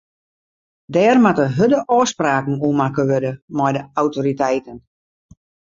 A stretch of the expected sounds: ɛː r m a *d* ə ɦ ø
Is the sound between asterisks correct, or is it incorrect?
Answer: incorrect